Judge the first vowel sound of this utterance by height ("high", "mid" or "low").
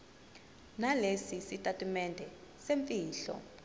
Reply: low